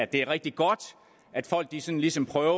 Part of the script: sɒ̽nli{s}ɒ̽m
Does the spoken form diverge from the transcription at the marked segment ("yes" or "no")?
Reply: no